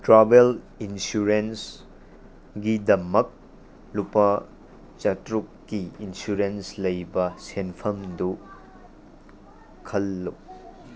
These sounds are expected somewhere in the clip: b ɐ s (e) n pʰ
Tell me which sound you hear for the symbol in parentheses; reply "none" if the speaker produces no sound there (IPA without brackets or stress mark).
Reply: e